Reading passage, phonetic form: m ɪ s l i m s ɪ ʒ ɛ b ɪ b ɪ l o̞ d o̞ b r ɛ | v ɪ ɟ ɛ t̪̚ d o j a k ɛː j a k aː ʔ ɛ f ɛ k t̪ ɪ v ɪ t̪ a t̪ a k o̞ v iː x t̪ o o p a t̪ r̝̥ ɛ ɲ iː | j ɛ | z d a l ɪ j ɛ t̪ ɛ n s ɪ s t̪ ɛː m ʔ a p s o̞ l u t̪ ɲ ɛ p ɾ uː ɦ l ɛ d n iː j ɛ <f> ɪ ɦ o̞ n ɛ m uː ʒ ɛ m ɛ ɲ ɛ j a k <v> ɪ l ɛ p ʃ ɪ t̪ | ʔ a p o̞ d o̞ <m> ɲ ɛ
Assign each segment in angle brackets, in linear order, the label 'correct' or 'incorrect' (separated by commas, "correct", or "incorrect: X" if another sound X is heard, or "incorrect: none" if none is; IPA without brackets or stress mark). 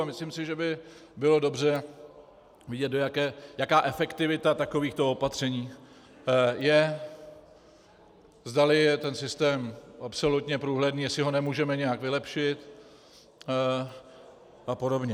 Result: incorrect: s, correct, incorrect: b